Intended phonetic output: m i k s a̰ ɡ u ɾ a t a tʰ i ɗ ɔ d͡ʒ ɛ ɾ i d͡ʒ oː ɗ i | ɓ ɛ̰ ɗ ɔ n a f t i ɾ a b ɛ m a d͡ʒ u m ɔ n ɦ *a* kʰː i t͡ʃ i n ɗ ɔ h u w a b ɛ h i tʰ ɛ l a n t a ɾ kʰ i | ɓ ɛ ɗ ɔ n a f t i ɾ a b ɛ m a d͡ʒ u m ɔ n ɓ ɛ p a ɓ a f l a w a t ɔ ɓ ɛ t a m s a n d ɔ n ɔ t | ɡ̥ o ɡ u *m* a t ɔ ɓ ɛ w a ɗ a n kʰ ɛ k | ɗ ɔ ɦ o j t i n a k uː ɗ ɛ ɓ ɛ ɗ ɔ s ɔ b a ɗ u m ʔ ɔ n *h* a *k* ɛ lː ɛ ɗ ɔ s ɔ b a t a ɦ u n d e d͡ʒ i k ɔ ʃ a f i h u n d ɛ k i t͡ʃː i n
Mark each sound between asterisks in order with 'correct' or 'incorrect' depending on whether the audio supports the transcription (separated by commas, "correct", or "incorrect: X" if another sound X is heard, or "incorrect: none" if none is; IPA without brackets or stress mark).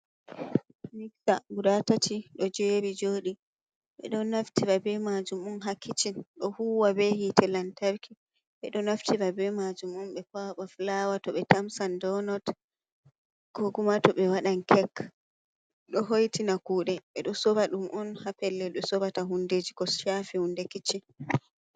correct, correct, correct, incorrect: p